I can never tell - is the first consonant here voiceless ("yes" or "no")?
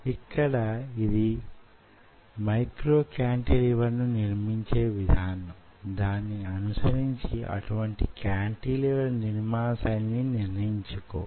yes